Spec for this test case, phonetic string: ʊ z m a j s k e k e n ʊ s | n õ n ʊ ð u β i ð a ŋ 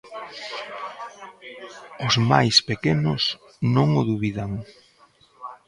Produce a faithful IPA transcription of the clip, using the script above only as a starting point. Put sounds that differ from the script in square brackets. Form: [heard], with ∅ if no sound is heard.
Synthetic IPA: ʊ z m a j s [p] e k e n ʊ s | n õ [ŋ] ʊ ð u β i ð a ŋ